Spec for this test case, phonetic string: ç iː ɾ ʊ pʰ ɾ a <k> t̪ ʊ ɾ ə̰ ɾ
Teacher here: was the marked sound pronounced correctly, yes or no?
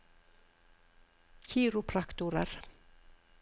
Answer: yes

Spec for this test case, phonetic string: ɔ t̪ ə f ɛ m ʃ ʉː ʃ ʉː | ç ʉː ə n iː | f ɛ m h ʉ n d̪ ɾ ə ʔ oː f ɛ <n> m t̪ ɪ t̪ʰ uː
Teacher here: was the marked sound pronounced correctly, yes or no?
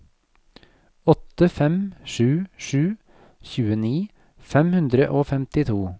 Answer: no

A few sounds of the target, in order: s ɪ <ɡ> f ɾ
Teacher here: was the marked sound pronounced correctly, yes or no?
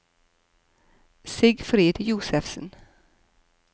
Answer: yes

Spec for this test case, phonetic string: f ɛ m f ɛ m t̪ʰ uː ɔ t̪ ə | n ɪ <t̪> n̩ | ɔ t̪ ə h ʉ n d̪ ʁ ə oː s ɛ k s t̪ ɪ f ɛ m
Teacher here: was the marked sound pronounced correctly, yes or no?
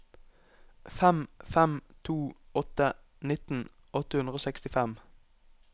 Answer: yes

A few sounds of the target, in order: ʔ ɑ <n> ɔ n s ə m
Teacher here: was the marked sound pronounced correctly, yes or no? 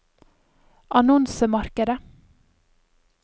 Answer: yes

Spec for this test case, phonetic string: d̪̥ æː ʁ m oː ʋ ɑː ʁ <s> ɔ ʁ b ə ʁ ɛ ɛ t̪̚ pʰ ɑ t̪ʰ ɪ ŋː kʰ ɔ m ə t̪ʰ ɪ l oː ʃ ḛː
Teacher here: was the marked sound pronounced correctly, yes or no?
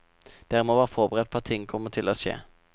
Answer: no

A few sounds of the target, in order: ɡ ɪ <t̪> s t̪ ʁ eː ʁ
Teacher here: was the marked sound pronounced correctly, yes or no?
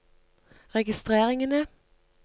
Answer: no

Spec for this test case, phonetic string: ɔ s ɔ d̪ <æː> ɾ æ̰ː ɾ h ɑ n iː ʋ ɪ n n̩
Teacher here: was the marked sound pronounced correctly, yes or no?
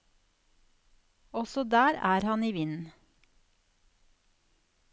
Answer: yes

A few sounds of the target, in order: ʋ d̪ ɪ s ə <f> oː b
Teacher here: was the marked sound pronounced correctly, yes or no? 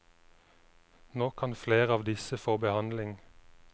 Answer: yes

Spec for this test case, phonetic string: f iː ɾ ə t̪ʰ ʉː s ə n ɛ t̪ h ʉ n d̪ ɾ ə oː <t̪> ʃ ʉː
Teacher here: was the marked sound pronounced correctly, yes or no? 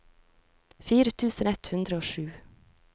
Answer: no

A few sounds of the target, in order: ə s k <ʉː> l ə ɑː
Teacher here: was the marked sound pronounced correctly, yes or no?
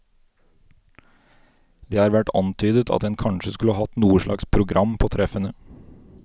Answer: no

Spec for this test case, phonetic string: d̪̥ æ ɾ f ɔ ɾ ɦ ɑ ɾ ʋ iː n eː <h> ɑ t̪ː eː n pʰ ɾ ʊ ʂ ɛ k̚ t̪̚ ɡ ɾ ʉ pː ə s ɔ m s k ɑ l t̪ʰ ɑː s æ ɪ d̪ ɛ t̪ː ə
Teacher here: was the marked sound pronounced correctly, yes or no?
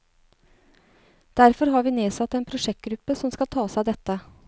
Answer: no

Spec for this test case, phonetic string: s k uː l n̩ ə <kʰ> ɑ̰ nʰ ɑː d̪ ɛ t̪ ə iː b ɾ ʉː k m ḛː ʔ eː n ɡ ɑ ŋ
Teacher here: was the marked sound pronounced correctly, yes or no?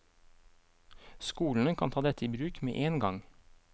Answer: yes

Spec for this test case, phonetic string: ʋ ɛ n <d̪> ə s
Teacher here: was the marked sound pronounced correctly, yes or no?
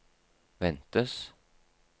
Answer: no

